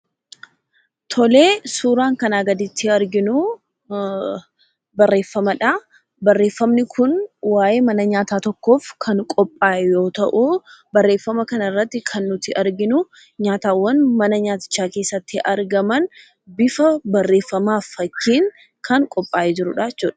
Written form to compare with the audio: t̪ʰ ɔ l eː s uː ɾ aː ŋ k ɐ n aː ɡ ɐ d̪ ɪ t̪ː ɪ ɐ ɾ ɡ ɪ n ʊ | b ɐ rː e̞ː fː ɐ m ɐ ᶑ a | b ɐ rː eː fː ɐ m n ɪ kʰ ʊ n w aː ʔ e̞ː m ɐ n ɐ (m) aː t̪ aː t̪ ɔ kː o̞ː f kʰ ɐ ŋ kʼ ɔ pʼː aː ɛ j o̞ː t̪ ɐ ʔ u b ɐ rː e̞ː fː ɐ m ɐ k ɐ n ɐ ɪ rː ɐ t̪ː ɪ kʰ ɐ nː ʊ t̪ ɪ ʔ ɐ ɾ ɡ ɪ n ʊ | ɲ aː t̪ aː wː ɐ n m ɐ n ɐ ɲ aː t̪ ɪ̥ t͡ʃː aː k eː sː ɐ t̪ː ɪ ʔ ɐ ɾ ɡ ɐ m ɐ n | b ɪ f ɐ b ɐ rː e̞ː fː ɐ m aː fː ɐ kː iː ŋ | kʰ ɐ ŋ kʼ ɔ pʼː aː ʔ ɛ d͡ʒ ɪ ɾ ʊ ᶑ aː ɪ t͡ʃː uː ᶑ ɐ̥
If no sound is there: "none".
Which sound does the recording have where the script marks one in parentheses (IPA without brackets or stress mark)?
ɲ